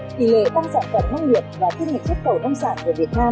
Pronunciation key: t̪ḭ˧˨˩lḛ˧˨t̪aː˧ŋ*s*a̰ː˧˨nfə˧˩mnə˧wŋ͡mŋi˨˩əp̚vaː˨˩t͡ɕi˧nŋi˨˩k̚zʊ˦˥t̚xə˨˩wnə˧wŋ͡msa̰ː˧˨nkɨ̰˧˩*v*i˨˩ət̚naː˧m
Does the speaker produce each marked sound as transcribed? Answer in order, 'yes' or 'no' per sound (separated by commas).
yes, yes